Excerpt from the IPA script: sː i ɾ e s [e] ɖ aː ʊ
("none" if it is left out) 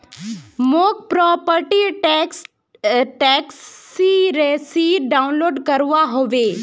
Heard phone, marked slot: i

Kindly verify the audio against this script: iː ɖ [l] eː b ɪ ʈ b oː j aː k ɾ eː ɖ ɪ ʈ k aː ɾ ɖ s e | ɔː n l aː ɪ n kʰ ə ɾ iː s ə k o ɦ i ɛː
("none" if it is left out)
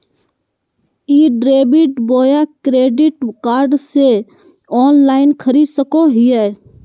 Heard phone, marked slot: ɾ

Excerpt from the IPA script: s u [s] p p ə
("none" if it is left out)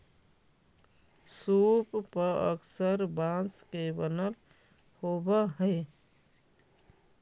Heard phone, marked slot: none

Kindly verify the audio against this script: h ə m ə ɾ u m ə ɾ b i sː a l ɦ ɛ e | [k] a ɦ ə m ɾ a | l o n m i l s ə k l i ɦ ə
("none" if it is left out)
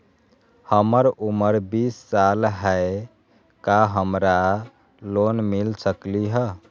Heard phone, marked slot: k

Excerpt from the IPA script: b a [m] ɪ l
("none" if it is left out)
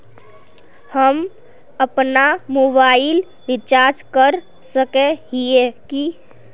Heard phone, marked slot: none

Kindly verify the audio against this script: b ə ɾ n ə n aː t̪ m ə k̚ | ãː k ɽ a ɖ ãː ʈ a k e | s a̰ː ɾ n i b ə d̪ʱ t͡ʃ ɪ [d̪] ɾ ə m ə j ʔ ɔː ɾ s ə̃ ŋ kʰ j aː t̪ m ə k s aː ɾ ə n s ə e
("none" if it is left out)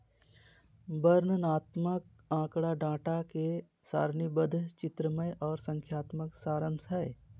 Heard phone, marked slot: t̪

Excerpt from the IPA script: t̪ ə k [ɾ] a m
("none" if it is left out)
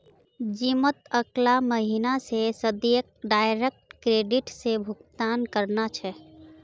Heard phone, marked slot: l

